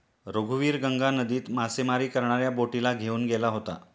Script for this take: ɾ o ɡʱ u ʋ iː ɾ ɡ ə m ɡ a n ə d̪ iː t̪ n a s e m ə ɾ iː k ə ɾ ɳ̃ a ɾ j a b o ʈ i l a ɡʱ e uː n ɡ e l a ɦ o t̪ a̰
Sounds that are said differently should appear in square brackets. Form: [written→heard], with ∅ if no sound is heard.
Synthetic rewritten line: ɾ o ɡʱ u ʋ iː ɾ ɡ ə [m→ŋ] ɡ a n ə d̪ iː t̪ [n→m] a s e m [ə→a] ɾ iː k ə ɾ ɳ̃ a ɾ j a b o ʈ i l a ɡʱ e uː n ɡ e l a ɦ o t̪ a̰